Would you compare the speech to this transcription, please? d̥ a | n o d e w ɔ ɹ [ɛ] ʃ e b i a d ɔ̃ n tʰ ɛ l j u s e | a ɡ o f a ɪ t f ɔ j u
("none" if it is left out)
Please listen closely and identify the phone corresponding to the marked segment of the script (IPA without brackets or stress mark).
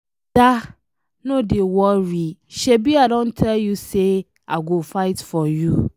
i